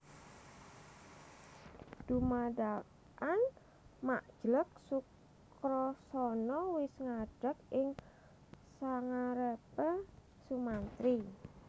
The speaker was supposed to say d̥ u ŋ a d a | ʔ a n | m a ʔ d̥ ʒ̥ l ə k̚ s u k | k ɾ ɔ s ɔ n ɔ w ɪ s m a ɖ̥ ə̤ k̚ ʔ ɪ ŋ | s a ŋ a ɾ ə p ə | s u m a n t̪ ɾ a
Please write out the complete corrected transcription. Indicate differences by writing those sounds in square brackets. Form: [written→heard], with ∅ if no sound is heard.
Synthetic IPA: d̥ u [ŋ→m] a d a | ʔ a n | m a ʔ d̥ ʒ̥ l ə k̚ s u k | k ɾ ɔ s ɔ n ɔ w ɪ s [m→ŋ] a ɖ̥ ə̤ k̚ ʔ ɪ ŋ | s a ŋ a ɾ ə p ə | s u m a n t̪ ɾ [a→i]